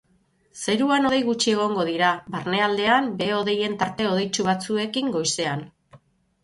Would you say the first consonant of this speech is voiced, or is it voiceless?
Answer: voiceless